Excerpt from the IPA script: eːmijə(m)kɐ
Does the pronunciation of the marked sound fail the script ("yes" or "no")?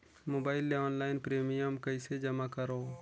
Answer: no